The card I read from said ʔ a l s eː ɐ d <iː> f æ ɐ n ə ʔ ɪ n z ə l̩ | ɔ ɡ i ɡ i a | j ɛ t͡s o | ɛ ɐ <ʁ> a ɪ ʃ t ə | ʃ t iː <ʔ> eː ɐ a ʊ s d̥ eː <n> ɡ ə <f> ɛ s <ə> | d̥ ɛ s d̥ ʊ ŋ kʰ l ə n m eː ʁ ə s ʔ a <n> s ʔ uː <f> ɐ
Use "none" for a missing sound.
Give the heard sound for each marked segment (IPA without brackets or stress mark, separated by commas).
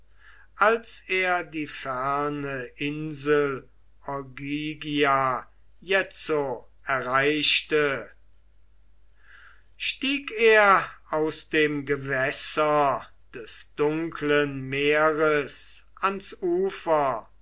iː, ʁ, k, m, v, ɐ, n, f